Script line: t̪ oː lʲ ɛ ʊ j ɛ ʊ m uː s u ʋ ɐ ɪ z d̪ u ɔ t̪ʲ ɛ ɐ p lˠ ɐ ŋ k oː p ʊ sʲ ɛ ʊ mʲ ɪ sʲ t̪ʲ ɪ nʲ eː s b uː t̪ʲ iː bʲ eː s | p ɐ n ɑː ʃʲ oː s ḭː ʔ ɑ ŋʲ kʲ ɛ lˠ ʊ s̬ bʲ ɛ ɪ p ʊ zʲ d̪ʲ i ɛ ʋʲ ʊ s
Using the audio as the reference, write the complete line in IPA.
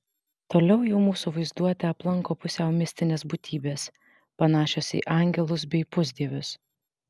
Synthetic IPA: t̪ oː lʲ ɛ ʊ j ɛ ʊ m uː s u ʋ ɐ ɪ z d̪ u ɔ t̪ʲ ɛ ɐ p lˠ ɐ ŋ k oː p ʊ sʲ ɛ ʊ mʲ ɪ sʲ t̪ʲ ɪ nʲ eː s b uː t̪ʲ iː bʲ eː s | p ɐ n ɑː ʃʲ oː s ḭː ʔ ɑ ŋʲ ɡʲ ɛ lˠ ʊ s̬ bʲ ɛ ɪ p ʊ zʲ d̪ʲ i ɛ ʋʲ ʊ s